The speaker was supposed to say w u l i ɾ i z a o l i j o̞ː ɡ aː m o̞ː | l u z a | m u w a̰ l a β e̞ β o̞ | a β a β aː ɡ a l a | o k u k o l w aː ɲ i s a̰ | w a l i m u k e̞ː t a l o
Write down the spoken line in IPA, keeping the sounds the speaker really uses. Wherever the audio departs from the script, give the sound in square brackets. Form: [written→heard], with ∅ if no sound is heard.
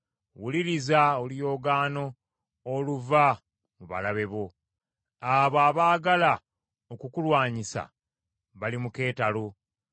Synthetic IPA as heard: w u l i ɾ i z a o l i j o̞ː ɡ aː [m→n] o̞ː | l u [z→v] a | m u [w→β] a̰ l a β e̞ β o̞ | a β a β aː ɡ a l a | o k u k [o→u] l w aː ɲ i s a̰ | [w→β] a l i m u k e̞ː t a l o

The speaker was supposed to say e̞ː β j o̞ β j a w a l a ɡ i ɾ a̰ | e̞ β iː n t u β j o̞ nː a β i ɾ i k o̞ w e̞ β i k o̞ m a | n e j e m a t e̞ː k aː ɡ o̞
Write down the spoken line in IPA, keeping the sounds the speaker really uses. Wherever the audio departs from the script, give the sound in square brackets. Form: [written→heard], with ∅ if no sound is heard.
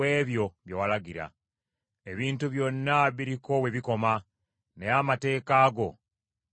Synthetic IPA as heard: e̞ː β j o̞ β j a w a l a ɡ i ɾ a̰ | e̞ β iː n t u β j o̞ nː a β i ɾ i k o̞ w e̞ β i k o̞ m a | n e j [e→a] m a t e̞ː k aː ɡ o̞

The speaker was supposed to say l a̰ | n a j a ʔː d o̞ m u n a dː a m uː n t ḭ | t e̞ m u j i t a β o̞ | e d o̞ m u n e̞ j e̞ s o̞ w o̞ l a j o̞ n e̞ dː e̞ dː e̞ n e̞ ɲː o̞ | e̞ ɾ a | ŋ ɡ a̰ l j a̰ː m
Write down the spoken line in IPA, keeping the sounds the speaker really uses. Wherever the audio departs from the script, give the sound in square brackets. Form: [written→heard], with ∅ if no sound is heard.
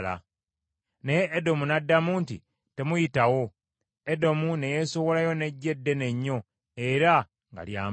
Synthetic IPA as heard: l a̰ | n [a→e] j [a→e] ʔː d o̞ m u n a dː a m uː n t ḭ | t e̞ m u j i t a [β→w] o̞ | e d o̞ m u n e̞ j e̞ s o̞ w o̞ l a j o̞ n e̞ [dː→ɟː] e̞ dː e̞ n e̞ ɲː o̞ | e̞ ɾ a | ŋ ɡ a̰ l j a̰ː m

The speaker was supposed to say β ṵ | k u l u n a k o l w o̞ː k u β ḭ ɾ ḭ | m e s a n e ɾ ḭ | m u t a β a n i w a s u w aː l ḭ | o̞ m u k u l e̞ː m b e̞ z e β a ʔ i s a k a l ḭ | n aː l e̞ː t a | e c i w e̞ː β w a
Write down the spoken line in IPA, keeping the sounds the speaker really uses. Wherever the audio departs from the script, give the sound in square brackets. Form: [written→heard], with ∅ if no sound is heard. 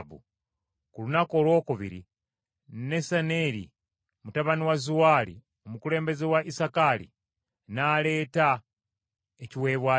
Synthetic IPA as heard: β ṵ | k u l u n a k o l w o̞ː k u β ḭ ɾ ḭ | [m→n] e s a n e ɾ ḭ | m u t a β a n i w a [s→z] u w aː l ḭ | o̞ m u k u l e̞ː m b e̞ z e [β→w] a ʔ i s a k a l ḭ | n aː l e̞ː t a | e c i w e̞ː β w a

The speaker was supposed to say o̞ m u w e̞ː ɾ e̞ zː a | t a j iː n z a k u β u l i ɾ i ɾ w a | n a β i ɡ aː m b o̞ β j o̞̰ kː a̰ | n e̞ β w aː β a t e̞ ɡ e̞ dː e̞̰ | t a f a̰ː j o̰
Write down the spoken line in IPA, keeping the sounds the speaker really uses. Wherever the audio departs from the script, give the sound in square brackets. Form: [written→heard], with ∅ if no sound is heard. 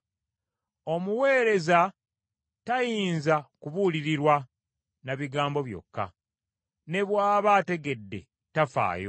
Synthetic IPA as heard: o̞ m u w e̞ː ɾ e̞ [zː→z] a | t a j iː n z a k u β u l i ɾ i ɾ w a | n a β i ɡ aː m b o̞ β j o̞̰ kː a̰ | n e̞ β w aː β a t e̞ ɡ e̞ dː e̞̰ | t a f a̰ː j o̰

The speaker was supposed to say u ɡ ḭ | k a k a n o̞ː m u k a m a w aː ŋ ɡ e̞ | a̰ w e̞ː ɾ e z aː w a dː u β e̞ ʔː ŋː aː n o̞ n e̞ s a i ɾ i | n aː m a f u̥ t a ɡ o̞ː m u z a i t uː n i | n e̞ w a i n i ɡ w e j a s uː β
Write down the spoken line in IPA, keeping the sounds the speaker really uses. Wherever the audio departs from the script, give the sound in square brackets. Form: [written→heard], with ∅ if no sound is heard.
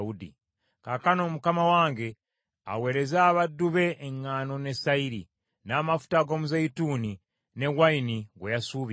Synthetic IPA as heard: u [ɡ→d] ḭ | k a k a n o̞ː m u k a m a w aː ŋ ɡ e̞ | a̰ w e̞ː ɾ e z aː [w→β] a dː u β e̞ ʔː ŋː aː n o̞ n e̞ s a i ɾ i | n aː m a f u̥ t a ɡ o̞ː m u z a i t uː n i | n e̞ w a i n i ɡ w e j a s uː β

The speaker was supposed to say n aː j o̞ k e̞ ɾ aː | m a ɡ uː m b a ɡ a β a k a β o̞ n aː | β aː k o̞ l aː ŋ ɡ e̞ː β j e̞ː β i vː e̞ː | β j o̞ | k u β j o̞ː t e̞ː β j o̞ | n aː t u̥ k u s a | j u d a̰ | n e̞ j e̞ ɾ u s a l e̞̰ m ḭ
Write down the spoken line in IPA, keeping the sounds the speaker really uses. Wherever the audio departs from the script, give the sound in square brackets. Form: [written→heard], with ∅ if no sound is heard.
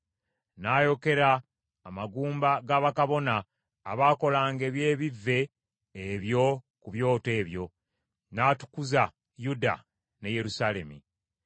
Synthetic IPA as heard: n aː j o̞ k e̞ ɾ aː | m a ɡ uː m b a ɡ a β a k a β o̞ n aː | β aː k o̞ l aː ŋ ɡ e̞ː β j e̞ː β i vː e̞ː | β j o̞ | k u β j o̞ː t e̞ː β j o̞ | n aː t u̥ k u [s→z] a | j u d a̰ | n e̞ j e̞ ɾ u s a l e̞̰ m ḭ

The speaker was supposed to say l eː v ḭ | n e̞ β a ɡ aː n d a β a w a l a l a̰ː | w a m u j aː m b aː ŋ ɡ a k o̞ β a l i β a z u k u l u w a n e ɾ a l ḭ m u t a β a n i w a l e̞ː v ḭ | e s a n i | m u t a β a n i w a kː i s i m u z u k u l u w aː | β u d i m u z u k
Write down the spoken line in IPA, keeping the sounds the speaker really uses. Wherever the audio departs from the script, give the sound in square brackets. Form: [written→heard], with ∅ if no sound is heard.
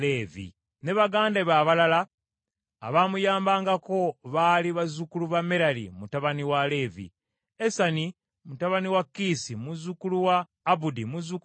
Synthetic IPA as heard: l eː v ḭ | n e̞ β a ɡ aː n d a β a [w→β] a l a l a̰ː | [w→β] a m u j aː m b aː ŋ ɡ a k o̞ β a l i β a z u k u l u [w→β] a [n→m] e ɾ a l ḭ m u t a β a n i w a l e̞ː v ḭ | e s a n i | m u t a β a n i w a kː i s i m u z u k u l u w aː | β u d i m u z u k

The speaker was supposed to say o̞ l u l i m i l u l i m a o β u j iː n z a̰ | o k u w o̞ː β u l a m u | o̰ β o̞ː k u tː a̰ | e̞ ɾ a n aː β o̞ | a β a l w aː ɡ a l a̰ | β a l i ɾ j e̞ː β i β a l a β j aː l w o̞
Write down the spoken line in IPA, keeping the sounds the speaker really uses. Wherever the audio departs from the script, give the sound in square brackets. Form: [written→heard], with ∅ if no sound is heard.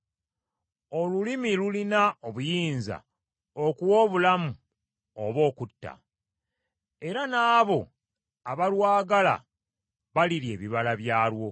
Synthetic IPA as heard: o̞ l u l i m i l u l i [m→n] a o β u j iː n z a̰ | o k u w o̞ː β u l a m u | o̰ β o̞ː k u tː a̰ | e̞ ɾ a n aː β o̞ | a β a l w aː ɡ a l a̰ | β a l i ɾ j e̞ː β i β a l a β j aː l w o̞

